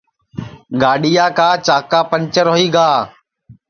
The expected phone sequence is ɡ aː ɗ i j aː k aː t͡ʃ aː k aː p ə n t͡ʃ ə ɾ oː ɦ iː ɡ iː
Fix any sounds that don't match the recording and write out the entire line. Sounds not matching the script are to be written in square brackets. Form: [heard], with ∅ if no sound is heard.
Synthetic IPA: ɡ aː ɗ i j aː k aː t͡ʃ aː k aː p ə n t͡ʃ ə ɾ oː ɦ iː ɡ [aː]